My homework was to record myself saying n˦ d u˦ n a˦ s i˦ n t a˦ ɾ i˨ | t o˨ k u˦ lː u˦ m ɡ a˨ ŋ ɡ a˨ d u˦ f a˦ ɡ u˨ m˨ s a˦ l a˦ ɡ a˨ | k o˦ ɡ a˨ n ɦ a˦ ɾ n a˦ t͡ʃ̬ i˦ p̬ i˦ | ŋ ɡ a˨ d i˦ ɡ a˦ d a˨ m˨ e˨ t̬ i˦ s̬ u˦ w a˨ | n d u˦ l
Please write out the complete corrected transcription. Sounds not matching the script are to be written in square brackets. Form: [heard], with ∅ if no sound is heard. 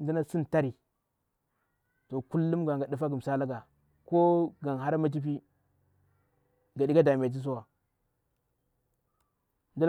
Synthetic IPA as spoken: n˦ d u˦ n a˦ s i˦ n t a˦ ɾ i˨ | t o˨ k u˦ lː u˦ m ɡ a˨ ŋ ɡ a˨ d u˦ f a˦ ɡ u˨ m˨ s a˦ l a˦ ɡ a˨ | k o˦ ɡ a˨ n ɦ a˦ ɾ [m] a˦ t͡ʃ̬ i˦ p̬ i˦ | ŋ ɡ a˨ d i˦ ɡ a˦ d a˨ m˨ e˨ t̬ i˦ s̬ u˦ w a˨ | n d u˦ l